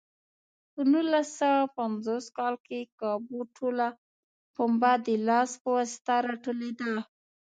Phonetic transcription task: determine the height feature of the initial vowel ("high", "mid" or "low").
mid